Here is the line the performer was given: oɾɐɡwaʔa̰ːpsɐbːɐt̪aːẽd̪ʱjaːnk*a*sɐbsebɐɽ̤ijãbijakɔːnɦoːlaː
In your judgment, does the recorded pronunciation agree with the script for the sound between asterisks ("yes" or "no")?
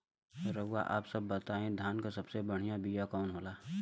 yes